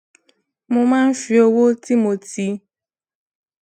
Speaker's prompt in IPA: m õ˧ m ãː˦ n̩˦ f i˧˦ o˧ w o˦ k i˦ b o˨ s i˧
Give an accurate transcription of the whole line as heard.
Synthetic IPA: m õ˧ m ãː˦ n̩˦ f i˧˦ o˧ w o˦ t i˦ m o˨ t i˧